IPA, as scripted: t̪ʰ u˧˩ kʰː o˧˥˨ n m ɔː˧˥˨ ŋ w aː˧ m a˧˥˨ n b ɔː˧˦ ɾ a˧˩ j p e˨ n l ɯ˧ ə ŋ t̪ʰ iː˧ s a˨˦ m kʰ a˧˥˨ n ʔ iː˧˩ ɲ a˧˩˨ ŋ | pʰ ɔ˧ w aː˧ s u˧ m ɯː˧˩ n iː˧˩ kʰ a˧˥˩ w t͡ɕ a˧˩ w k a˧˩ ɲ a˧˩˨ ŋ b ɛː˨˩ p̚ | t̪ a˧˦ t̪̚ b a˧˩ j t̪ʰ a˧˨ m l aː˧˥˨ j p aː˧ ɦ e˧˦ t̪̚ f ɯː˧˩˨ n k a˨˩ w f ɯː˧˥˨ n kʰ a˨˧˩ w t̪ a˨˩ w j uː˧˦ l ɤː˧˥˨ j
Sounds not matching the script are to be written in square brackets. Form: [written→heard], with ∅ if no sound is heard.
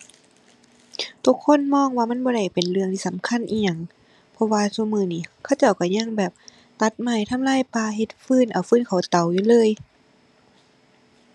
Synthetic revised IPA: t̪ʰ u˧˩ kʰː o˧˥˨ n m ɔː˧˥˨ ŋ w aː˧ m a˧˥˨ n b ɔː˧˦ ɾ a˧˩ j p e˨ n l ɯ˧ ə ŋ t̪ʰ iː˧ s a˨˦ m kʰ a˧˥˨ n ʔ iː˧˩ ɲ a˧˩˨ ŋ | pʰ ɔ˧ w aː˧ s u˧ m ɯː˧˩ n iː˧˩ kʰ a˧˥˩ w t͡ɕ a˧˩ w k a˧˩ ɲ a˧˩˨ ŋ b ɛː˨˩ p̚ | t̪ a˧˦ t̪̚ [b→m] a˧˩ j t̪ʰ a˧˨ m l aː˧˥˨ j p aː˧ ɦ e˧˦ t̪̚ f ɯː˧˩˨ n [k→ʔ] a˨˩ w f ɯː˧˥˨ n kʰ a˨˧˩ w t̪ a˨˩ w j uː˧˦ l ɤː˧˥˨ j